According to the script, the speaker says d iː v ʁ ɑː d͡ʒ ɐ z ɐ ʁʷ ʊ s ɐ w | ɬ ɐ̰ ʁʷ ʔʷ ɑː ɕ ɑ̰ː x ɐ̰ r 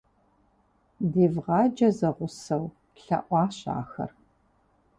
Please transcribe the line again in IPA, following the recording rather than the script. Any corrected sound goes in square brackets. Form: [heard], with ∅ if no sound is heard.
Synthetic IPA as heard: d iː v ʁ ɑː d͡ʒ ɐ z ɐ ʁʷ ʊ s ɐ w | ɬ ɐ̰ [∅] ʔʷ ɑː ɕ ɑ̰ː x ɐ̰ r